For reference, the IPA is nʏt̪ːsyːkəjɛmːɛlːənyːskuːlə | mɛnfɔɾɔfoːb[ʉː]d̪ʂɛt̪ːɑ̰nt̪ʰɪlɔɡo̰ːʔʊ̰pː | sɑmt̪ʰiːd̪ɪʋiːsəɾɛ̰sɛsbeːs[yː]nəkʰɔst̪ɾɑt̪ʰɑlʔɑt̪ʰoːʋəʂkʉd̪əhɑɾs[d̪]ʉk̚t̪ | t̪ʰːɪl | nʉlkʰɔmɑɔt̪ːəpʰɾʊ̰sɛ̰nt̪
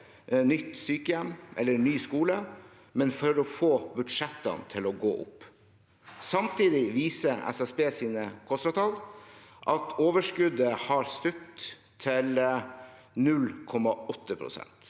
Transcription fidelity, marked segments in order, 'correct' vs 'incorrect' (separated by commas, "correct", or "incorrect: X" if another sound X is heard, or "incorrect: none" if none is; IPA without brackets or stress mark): incorrect: ʉ, incorrect: iː, incorrect: t̪